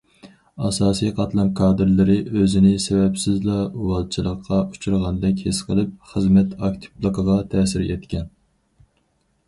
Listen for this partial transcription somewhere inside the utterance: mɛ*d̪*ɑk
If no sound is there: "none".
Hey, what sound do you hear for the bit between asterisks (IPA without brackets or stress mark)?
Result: t̪